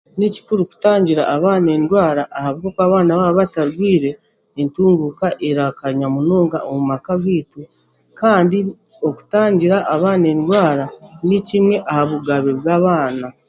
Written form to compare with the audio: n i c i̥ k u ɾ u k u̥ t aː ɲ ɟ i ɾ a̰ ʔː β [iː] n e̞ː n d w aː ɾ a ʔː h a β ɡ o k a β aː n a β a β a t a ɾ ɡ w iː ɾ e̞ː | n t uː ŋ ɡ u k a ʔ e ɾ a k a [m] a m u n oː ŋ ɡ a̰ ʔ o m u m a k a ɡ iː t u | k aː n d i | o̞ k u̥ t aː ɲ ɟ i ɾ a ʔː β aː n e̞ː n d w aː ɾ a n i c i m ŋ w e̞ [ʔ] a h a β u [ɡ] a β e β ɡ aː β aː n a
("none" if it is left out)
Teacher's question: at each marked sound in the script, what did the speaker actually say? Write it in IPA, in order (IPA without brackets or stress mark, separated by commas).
aː, ɲ, ʔ, ɡ